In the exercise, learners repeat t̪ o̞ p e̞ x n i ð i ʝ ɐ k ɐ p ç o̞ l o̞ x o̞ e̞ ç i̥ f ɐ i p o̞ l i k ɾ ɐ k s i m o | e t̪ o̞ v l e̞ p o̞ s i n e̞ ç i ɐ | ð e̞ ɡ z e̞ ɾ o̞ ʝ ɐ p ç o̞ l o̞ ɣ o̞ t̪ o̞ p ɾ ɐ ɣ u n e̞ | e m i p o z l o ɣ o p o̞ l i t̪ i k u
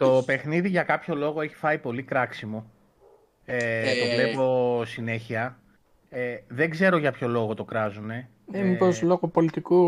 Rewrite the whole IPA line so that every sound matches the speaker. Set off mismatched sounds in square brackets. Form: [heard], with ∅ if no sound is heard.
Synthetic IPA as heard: t̪ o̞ p e̞ x n i ð i ʝ ɐ k ɐ p ç o̞ l o̞ [ɣ] o̞ e̞ ç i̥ f ɐ i p o̞ l i k ɾ ɐ k s i m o | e t̪ o̞ v l e̞ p o̞ s i n e̞ ç i ɐ | ð e̞ ɡ z e̞ ɾ o̞ ʝ ɐ p ç o̞ l o̞ ɣ o̞ t̪ o̞ [k] ɾ ɐ [z] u n e̞ | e m i p o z l o ɣ o p o̞ l i t̪ i k u